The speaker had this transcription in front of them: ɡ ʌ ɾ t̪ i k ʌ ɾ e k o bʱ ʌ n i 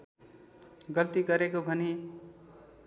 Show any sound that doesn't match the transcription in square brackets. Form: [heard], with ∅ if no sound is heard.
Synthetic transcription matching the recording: ɡ ʌ [l] t̪ i [ɡ] ʌ ɾ e k o bʱ ʌ n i